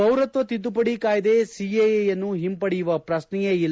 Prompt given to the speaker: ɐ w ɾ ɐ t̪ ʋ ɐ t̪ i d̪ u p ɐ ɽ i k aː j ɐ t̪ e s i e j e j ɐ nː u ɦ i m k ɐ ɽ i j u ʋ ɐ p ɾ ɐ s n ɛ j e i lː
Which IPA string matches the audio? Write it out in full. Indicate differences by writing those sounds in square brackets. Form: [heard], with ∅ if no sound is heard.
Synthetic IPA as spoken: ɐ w ɾ ɐ t̪ ʋ ɐ t̪ i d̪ u p ɐ ɽ i k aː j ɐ [d̪] e s i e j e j ɐ nː u ɦ i m [p] ɐ ɽ i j u ʋ ɐ p ɾ ɐ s n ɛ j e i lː